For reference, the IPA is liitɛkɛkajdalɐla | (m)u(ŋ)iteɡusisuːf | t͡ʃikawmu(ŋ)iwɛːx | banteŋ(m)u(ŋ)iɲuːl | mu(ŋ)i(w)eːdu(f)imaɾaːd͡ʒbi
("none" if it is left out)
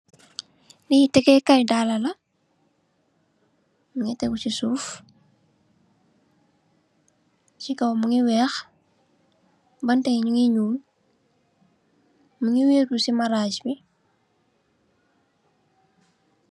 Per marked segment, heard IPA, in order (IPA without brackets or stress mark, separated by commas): m, ŋ, ŋ, ɲ, ŋ, ŋ, w, s